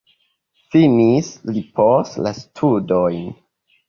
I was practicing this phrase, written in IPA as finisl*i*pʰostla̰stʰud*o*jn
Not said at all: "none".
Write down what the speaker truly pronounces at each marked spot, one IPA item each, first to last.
i, o

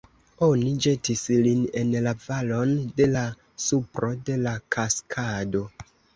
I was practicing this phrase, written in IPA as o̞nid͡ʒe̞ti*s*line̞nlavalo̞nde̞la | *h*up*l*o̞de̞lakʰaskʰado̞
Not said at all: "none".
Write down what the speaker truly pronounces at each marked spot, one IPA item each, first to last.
s, s, ɾ

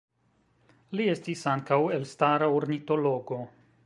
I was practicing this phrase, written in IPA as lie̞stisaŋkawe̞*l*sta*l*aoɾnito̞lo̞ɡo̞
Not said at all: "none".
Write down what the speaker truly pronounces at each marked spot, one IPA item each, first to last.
l, ɾ

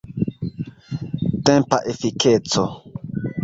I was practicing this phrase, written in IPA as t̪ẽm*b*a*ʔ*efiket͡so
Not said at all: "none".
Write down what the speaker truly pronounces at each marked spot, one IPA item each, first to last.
p, ʔ

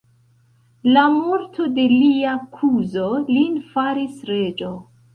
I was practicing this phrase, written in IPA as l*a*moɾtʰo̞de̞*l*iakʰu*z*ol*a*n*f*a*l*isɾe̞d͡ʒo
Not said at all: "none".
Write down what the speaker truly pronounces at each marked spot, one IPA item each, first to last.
a, l, z, i, f, ɾ

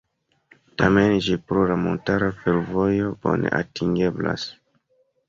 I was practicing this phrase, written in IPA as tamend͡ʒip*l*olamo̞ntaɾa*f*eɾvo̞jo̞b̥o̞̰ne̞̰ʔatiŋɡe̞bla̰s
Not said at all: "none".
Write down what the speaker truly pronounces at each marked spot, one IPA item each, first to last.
ɾ, f

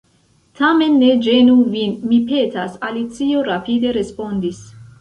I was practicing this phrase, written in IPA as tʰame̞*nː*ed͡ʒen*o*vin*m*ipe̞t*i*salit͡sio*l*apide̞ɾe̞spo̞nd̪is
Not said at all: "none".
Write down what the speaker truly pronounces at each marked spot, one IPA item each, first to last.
nː, u, m, a, ɾ

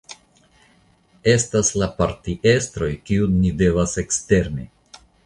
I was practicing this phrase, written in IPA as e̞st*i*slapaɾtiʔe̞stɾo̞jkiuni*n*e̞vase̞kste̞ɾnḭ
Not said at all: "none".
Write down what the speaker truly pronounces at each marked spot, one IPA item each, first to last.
a, d

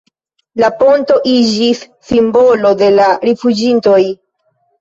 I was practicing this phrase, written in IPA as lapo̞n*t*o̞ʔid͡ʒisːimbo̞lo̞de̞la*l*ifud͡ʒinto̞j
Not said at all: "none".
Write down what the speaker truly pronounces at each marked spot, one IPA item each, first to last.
t, ɾ

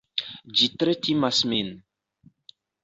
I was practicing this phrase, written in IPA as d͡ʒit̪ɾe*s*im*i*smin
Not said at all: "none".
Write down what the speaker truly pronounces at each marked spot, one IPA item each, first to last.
t, a

